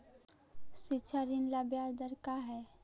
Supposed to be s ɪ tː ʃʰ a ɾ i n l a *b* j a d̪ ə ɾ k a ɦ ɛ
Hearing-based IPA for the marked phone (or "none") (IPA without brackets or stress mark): b